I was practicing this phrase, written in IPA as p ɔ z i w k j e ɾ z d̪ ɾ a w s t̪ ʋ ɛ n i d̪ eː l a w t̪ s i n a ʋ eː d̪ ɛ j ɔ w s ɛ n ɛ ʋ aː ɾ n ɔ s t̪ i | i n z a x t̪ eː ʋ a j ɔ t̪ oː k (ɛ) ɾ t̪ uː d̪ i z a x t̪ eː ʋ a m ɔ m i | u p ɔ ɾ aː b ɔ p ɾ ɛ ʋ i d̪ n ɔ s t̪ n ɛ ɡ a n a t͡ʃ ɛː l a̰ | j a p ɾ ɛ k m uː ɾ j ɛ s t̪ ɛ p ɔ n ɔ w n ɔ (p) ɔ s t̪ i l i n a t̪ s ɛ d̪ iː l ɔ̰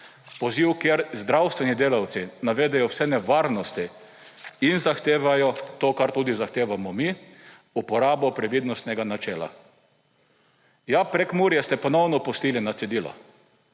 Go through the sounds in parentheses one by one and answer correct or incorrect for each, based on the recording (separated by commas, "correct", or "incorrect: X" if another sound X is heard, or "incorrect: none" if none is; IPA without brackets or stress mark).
incorrect: a, correct